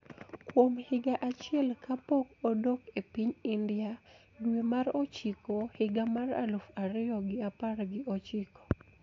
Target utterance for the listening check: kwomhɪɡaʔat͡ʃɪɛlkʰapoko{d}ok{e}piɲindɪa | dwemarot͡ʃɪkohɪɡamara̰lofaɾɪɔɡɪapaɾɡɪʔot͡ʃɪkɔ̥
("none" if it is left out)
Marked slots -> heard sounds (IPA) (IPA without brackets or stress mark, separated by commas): d, e